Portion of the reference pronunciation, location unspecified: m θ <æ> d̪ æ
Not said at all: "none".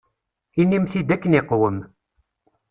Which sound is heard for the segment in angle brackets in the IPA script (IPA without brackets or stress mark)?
i